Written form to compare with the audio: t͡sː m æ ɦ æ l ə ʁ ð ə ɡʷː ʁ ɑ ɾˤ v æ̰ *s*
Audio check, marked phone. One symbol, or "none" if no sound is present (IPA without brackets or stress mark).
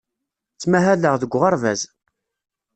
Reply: z